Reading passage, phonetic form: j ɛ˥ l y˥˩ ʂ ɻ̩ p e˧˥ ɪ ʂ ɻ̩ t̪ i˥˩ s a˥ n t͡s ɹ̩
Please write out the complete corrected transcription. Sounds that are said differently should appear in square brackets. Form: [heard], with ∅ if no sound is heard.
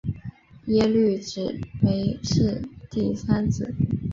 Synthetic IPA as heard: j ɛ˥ l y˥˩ [ʈ͡ʂ] ɻ̩ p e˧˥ ɪ ʂ ɻ̩ t̪ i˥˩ s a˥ n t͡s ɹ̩